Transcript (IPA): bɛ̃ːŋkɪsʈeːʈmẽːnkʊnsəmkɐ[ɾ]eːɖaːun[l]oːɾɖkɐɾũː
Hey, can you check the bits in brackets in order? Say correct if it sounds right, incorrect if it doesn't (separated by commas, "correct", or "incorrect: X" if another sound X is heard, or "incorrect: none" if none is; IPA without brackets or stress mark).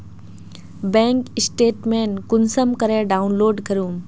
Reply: correct, correct